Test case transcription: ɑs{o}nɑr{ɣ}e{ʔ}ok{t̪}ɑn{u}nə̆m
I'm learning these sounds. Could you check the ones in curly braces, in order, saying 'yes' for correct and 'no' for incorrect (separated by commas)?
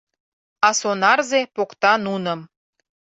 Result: yes, no, no, yes, yes